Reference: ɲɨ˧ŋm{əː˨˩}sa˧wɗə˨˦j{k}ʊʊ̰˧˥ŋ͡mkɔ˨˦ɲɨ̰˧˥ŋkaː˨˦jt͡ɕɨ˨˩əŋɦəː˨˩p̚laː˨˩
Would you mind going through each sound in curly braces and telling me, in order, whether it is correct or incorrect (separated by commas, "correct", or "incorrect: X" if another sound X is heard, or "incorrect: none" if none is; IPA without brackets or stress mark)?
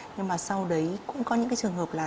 incorrect: aː˨˩, correct